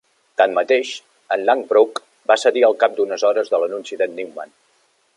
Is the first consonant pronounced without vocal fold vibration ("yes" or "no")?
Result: yes